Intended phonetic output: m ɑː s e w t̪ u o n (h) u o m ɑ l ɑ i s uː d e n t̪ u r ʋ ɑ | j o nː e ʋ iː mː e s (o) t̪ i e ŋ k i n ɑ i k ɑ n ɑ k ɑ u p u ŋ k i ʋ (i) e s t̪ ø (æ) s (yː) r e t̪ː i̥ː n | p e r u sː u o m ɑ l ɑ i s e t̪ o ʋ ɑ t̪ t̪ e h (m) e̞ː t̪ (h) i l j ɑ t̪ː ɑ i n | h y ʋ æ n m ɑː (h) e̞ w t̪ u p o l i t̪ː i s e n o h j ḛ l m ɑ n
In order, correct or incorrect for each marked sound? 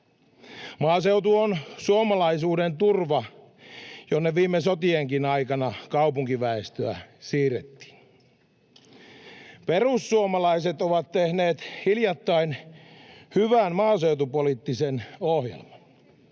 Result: incorrect: s, correct, incorrect: æ, correct, incorrect: iː, incorrect: n, correct, incorrect: s

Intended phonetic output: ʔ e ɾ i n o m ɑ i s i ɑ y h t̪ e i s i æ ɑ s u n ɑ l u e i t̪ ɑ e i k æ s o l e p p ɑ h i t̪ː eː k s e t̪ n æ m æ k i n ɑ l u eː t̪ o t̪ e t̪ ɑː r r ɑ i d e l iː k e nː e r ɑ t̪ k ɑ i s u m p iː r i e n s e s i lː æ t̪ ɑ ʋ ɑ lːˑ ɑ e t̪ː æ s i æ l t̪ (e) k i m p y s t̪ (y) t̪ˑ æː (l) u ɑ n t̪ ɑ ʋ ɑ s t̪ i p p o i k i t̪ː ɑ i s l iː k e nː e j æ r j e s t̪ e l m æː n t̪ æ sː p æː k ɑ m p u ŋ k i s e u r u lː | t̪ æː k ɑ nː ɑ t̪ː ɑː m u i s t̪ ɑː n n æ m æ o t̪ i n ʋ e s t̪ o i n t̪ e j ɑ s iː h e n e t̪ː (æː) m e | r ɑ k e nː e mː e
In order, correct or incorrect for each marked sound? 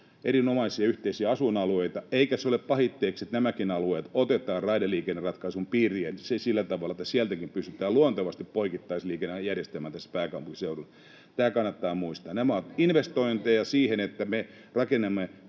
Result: incorrect: æ, correct, correct, incorrect: æ

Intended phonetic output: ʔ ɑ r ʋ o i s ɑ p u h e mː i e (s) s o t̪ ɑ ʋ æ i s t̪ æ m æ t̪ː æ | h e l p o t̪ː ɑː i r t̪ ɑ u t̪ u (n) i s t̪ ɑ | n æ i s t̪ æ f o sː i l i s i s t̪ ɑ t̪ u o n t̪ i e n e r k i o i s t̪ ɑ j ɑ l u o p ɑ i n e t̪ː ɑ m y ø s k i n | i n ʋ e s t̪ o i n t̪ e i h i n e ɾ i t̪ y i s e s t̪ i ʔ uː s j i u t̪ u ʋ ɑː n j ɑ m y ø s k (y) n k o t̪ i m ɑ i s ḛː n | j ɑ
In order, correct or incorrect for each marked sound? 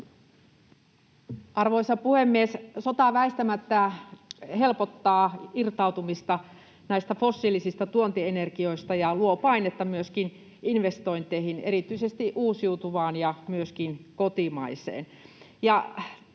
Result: correct, incorrect: m, incorrect: i

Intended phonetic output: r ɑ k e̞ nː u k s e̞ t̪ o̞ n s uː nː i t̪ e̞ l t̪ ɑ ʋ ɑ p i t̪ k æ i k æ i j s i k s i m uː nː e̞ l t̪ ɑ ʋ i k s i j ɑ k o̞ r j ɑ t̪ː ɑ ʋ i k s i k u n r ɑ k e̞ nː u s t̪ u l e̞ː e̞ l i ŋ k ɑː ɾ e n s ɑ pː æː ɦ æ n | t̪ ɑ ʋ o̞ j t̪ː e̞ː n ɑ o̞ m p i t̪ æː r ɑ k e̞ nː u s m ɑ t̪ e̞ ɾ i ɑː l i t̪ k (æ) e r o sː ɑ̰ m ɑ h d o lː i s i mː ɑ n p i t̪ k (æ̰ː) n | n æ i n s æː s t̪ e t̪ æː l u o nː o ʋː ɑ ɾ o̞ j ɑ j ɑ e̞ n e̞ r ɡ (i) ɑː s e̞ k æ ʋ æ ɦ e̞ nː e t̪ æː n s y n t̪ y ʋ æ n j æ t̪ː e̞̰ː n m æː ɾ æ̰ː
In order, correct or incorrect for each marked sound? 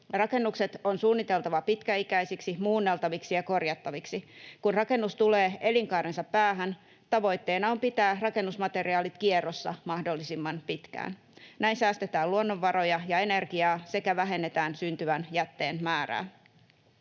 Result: incorrect: i, correct, correct

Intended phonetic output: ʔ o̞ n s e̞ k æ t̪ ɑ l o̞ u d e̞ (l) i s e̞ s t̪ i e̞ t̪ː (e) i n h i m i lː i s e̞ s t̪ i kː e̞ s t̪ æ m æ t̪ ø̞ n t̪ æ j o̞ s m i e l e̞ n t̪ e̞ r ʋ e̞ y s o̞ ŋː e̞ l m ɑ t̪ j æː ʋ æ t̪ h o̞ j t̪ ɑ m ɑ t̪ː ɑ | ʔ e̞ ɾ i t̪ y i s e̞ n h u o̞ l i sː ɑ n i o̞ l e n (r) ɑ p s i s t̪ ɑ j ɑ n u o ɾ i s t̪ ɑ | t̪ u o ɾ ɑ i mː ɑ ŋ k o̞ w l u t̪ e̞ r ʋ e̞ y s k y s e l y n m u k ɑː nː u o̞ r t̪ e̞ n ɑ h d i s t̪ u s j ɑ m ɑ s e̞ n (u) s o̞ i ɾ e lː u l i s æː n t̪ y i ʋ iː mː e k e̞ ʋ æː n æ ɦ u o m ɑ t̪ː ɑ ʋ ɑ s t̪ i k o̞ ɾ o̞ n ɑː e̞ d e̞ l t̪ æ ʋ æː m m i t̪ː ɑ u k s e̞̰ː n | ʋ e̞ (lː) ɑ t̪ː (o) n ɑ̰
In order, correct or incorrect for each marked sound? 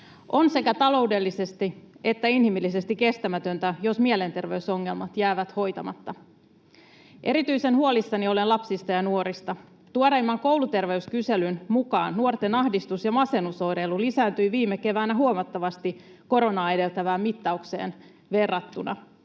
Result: incorrect: lː, incorrect: æ, incorrect: l, correct, incorrect: rː, incorrect: u

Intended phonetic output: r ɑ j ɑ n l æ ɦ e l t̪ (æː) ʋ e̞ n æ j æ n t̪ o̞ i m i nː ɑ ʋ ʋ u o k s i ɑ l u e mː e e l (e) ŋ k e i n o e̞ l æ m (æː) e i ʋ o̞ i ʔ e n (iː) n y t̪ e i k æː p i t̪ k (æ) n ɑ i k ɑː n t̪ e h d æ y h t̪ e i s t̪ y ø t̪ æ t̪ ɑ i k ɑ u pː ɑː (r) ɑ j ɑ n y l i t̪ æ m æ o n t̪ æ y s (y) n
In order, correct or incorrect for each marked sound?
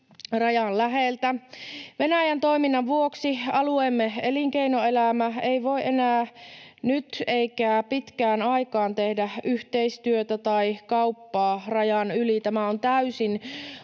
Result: incorrect: æ, incorrect: i, incorrect: æ, incorrect: æː, incorrect: æː, correct, incorrect: i

